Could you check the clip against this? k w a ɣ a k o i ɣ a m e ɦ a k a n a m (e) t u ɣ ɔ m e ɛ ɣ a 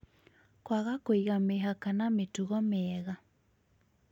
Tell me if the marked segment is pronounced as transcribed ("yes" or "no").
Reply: yes